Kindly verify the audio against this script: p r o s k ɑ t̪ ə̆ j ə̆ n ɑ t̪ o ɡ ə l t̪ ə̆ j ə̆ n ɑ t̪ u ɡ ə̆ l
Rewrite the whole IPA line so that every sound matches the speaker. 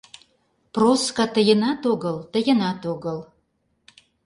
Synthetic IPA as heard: p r o s k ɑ t̪ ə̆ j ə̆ n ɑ t̪ o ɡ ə l t̪ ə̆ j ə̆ n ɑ t̪ o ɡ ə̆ l

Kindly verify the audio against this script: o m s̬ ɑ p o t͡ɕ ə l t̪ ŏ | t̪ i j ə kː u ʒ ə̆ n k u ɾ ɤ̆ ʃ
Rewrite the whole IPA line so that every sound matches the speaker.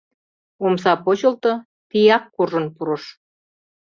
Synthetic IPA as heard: o m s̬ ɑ p o t͡ɕ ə l t̪ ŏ | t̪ i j ɑ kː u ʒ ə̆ n p u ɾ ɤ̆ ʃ

